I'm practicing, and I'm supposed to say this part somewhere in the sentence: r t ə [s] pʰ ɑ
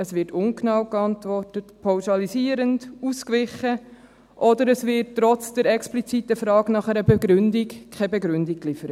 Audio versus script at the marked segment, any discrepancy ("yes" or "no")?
yes